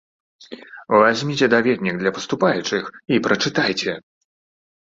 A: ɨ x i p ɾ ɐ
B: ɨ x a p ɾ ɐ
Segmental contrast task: A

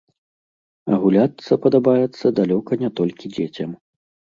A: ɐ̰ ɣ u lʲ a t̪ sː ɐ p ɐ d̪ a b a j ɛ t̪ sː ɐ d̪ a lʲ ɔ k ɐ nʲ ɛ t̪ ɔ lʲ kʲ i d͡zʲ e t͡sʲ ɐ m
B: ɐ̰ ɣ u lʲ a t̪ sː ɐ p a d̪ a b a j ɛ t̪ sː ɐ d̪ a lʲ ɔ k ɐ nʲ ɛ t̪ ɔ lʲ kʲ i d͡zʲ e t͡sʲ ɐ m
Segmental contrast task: A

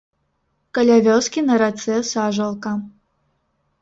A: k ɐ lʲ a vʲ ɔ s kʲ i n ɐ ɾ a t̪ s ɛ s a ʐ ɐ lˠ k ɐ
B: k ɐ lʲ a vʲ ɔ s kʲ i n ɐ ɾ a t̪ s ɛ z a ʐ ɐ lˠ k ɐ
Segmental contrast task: A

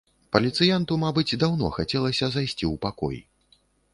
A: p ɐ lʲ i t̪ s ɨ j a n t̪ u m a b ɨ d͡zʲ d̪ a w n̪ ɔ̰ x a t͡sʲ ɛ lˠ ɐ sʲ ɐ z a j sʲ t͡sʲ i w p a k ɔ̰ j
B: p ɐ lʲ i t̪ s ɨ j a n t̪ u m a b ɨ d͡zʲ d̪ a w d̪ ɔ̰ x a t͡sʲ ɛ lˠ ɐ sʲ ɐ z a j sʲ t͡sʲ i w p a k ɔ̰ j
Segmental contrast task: A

